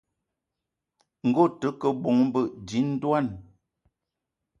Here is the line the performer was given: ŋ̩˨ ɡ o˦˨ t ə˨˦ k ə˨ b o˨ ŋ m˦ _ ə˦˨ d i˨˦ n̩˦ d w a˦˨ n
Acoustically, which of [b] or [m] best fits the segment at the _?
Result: b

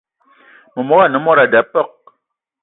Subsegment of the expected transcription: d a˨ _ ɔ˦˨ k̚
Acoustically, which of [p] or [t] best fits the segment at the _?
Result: p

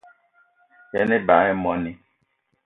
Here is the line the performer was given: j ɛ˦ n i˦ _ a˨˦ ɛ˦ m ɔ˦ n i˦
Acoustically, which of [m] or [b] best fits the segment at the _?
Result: b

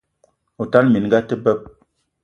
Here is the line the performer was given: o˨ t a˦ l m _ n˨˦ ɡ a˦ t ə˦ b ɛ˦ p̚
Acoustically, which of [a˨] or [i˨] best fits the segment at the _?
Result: i˨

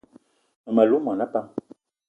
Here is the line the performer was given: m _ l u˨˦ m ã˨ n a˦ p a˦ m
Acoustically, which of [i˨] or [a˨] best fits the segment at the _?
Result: a˨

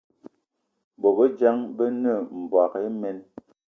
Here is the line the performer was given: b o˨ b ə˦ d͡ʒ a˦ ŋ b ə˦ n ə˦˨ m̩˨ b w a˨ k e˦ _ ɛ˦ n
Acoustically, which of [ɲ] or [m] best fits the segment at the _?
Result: m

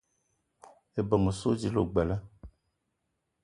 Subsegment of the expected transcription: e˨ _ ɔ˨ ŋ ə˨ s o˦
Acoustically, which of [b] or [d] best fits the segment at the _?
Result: b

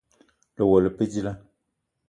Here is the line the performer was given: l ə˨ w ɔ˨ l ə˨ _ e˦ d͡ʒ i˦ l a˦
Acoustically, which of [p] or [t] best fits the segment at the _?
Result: p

